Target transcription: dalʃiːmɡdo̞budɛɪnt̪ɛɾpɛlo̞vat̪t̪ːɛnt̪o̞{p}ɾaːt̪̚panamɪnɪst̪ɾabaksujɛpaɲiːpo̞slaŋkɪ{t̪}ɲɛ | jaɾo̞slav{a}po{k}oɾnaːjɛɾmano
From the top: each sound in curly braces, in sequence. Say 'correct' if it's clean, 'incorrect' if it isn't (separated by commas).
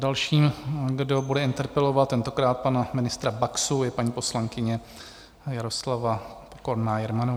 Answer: incorrect, incorrect, correct, correct